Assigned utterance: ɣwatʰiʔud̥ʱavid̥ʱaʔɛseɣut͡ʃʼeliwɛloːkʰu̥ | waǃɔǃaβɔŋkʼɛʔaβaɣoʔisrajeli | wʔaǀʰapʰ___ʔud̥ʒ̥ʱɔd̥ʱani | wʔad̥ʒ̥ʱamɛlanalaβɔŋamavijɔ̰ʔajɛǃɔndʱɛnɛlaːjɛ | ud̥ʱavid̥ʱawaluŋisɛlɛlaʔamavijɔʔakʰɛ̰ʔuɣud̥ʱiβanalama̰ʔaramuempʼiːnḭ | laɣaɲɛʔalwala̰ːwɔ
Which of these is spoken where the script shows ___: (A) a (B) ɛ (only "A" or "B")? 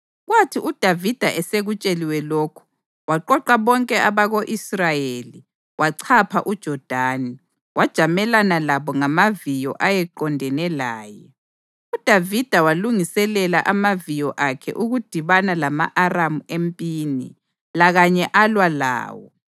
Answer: A